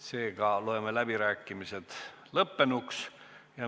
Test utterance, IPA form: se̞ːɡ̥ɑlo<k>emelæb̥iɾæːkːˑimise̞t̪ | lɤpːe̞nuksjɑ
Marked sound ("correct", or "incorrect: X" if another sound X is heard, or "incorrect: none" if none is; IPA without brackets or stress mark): incorrect: none